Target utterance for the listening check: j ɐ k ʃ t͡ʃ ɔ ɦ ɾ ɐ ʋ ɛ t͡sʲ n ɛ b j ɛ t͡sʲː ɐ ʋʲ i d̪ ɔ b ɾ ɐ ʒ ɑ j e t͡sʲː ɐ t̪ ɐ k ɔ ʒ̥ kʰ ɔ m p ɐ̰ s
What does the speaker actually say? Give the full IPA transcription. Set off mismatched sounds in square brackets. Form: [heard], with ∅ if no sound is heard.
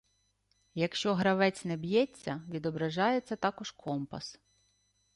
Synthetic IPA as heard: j ɐ k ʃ t͡ʃ ɔ ɦ ɾ ɐ ʋ ɛ t͡sʲ n ɛ b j ɛ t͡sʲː ɐ ʋʲ i d̪ ɔ b ɾ ɐ ʒ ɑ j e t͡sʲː ɐ t̪ [ɑ] k ɔ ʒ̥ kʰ ɔ m p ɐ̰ s